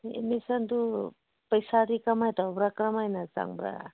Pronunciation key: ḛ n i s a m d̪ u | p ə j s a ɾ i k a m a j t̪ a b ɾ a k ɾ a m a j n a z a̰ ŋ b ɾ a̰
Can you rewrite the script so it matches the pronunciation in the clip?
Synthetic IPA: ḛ m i s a n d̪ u | p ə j s a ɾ i k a m a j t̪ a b ɾ a k ɾ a m a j n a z a̰ ŋ b ɾ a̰